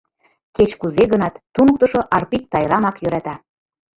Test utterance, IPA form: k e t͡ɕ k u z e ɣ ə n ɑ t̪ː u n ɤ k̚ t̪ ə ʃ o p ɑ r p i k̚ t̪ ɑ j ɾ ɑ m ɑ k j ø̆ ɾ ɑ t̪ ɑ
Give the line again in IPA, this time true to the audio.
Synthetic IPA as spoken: k e t͡ɕ k u z e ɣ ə n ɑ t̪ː u n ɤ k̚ t̪ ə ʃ o ʔ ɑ r p i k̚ t̪ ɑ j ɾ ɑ m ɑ k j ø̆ ɾ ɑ t̪ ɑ